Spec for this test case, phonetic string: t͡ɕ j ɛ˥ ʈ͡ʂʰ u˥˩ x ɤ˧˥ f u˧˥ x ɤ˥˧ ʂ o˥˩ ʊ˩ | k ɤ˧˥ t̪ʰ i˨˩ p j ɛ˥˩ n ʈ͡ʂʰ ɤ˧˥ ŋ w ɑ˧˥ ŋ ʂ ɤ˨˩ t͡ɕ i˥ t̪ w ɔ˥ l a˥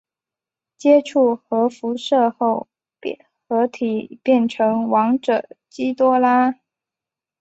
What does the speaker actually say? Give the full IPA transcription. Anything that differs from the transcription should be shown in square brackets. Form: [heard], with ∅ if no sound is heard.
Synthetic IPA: t͡ɕ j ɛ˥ ʈ͡ʂʰ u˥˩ x ɤ˧˥ f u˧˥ [ʂ] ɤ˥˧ [x] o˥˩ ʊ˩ | [x] ɤ˧˥ t̪ʰ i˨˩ p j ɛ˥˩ n ʈ͡ʂʰ ɤ˧˥ ŋ w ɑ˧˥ ŋ [ʈ͡ʂ] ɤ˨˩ t͡ɕ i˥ t̪ w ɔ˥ l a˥